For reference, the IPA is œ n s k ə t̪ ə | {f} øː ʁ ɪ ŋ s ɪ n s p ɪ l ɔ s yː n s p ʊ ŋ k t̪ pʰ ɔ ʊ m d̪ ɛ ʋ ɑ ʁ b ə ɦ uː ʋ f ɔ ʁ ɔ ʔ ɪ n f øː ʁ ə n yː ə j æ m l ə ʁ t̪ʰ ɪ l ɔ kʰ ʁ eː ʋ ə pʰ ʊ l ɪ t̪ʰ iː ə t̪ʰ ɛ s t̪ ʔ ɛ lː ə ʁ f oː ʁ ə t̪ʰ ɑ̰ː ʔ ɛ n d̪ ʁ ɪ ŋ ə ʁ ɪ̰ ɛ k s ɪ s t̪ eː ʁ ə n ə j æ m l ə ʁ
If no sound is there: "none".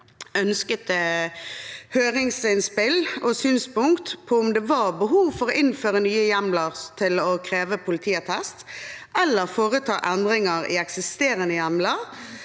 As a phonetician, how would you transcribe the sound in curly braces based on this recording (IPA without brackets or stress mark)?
h